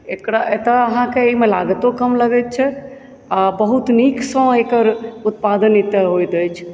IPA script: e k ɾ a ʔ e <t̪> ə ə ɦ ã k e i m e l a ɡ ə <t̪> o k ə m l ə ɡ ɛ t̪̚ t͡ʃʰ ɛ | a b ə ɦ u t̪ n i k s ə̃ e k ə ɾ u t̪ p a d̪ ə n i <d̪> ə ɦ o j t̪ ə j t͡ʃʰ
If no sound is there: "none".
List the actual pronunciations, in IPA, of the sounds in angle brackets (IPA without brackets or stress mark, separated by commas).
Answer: t̪, t̪, t̪